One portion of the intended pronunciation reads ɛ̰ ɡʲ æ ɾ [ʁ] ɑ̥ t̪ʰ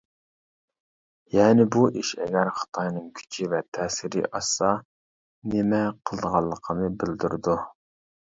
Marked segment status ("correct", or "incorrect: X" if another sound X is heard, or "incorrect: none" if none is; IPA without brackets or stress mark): incorrect: χ